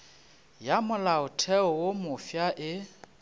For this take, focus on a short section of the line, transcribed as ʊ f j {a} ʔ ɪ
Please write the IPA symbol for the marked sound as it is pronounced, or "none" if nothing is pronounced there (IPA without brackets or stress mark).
a